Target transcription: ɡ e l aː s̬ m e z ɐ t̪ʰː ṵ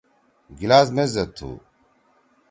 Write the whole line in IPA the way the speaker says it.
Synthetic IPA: ɡ i l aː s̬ m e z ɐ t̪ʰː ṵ